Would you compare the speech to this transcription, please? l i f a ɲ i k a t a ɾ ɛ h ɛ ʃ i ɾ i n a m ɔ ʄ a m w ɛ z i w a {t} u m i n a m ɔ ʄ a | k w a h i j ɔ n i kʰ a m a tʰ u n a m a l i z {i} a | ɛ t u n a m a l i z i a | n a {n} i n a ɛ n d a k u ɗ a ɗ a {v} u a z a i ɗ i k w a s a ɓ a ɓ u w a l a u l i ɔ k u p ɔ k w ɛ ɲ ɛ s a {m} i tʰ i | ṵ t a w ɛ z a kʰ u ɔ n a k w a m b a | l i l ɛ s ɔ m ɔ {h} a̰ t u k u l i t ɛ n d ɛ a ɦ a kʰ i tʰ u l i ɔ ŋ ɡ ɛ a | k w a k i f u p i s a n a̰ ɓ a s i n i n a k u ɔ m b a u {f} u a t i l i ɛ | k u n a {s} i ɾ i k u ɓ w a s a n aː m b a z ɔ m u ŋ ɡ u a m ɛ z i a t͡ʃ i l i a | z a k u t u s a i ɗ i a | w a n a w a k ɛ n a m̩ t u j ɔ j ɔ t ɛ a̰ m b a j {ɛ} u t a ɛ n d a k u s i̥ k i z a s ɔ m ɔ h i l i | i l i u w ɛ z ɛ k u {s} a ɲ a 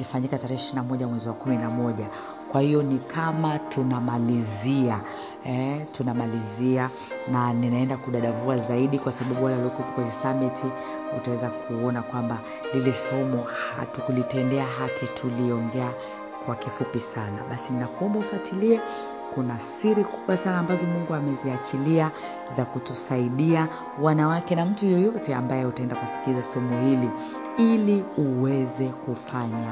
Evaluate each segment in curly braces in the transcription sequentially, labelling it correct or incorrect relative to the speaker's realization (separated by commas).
incorrect, correct, correct, correct, correct, correct, correct, correct, correct, incorrect